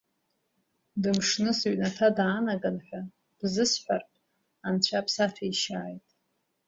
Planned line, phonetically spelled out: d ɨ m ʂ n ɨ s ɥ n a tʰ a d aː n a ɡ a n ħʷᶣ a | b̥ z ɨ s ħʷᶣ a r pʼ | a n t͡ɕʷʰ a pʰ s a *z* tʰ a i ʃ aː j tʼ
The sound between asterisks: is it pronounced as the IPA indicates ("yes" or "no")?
no